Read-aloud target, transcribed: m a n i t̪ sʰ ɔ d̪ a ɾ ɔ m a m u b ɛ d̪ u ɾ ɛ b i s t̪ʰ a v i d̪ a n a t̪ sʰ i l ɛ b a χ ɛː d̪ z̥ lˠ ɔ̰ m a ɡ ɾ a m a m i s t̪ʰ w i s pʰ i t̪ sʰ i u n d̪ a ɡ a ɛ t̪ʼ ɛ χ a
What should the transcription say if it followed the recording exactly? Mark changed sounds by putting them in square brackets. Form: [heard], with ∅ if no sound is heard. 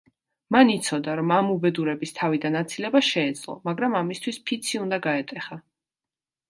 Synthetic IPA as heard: m a n i t̪ sʰ ɔ d̪ a ɾ ɔ m a m u b ɛ d̪ u ɾ ɛ b i s t̪ʰ a v i d̪ a n a t̪ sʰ i l ɛ b a [ʃ] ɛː d̪ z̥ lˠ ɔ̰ m a ɡ ɾ a m a m i s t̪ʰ w i s pʰ i t̪ sʰ i u n d̪ a ɡ a ɛ t̪ʼ ɛ χ a

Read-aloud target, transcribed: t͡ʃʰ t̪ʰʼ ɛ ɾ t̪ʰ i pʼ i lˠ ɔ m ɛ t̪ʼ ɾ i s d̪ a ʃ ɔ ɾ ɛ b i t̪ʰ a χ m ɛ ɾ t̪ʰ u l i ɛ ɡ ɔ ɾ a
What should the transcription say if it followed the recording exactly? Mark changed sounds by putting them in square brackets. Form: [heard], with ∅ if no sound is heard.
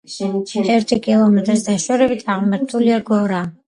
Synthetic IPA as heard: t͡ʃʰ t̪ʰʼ ɛ ɾ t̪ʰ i [kʼ] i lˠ ɔ m ɛ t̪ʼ ɾ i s d̪ a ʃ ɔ ɾ ɛ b i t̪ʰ a [ʁ] m ɛ ɾ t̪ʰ u l i [a] ɡ ɔ ɾ a

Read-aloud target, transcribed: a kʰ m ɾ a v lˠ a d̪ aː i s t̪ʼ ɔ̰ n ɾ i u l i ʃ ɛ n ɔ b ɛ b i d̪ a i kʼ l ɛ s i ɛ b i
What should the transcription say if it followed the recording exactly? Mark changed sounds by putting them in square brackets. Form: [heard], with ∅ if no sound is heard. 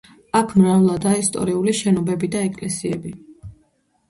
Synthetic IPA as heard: a kʰ m ɾ a v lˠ a d̪ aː i s t̪ʼ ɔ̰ [∅] ɾ i u l i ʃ ɛ n ɔ b ɛ b i d̪ a [ɛ] kʼ l ɛ s i ɛ b i

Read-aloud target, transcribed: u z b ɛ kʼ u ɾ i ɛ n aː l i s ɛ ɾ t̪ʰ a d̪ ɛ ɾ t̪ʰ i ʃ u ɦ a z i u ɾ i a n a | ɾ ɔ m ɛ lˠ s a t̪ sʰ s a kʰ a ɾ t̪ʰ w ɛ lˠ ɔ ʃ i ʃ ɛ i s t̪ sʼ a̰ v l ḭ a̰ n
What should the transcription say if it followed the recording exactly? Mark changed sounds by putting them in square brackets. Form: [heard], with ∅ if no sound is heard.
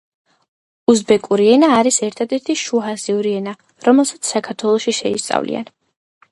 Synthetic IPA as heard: u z b ɛ kʼ u ɾ i ɛ n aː [ɾ] i s ɛ ɾ t̪ʰ a d̪ ɛ ɾ t̪ʰ i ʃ u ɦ a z i u ɾ i [ɛ] n a | ɾ ɔ m ɛ lˠ s a t̪ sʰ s a kʰ a ɾ t̪ʰ w ɛ lˠ ɔ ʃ i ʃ ɛ i s t̪ sʼ a̰ v l ḭ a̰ n

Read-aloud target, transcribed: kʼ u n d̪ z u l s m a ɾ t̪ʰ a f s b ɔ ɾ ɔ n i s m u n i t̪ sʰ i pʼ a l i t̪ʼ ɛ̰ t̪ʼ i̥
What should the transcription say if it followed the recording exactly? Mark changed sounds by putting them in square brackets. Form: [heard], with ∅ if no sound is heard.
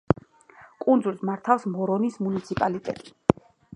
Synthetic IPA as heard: kʼ u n d̪ z u l s m a ɾ t̪ʰ a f s [m] ɔ ɾ ɔ n i s m u n i t̪ sʰ i pʼ a l i t̪ʼ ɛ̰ t̪ʼ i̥

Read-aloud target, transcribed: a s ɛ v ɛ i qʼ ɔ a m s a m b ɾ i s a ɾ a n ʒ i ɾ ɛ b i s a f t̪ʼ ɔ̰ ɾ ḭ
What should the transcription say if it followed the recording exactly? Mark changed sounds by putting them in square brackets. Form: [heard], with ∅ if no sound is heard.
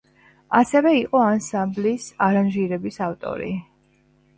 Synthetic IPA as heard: a s ɛ v ɛ i qʼ ɔ a [n] s a m b [l] i s a ɾ a n ʒ i ɾ ɛ b i s a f t̪ʼ ɔ̰ ɾ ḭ

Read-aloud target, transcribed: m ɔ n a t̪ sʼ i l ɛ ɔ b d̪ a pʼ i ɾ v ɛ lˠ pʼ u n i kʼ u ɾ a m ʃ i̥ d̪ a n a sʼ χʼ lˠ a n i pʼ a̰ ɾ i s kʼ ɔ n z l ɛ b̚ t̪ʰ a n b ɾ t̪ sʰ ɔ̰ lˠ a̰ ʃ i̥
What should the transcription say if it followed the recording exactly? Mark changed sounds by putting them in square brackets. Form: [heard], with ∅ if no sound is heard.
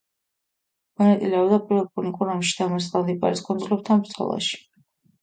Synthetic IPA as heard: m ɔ n a t̪ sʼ i l ɛ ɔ b d̪ a pʼ i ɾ v ɛ lˠ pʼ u n i kʼ u ɾ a m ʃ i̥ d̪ a [m] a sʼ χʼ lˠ a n i pʼ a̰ ɾ i s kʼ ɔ n z l ɛ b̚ t̪ʰ a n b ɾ t̪ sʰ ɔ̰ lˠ a̰ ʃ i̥

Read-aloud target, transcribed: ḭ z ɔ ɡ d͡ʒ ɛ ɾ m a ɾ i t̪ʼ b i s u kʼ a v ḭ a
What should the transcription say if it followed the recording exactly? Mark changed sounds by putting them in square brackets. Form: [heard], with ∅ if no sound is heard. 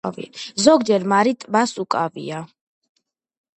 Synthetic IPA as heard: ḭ z ɔ ɡ d͡ʒ ɛ ɾ m a ɾ i t̪ʼ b [a] s u kʼ a v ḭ a

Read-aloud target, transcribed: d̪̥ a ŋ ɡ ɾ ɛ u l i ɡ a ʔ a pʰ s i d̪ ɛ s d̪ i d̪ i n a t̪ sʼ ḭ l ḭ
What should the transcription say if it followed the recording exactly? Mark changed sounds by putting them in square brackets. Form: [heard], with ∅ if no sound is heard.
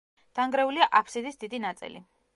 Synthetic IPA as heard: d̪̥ a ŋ ɡ ɾ ɛ u l i [∅] a ʔ a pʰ s i d̪ [i] s d̪ i d̪ i n a t̪ sʼ ḭ l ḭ

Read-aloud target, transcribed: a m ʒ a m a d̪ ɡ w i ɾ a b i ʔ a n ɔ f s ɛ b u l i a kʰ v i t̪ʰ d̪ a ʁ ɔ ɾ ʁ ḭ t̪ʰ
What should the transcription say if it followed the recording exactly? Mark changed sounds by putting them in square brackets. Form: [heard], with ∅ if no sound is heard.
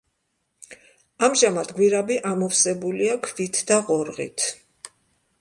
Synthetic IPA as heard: a m ʒ a m a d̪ ɡ w i ɾ a b i ʔ a [m] ɔ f s ɛ b u l i a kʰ v i t̪ʰ d̪ a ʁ ɔ ɾ ʁ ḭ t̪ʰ

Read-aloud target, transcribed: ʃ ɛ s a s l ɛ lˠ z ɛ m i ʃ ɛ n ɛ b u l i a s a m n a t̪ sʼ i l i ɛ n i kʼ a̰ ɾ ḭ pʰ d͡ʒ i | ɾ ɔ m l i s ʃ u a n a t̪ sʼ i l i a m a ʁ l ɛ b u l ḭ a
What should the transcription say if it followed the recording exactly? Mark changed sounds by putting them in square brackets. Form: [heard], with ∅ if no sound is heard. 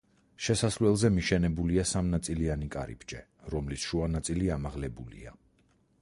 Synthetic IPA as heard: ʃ ɛ s a s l ɛ lˠ z ɛ m i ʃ ɛ n ɛ b u l i a s a m n a t̪ sʼ i l i [a] n i kʼ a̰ ɾ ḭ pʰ d͡ʒ [ɛ] | ɾ ɔ m l i s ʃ u a n a t̪ sʼ i l i a m a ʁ l ɛ b u l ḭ a

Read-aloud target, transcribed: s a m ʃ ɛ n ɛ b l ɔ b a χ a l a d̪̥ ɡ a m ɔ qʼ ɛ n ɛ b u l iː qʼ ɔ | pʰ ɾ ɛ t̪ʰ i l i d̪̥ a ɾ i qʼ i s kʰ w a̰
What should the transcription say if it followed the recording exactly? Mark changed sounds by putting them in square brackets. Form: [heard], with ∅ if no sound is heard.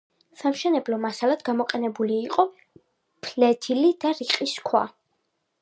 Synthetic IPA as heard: s a m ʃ ɛ n ɛ b l ɔ [m] a [s] a l a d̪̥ ɡ a m ɔ qʼ ɛ n ɛ b u l iː qʼ ɔ | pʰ [l] ɛ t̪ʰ i l i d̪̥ a ɾ i qʼ i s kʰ w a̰

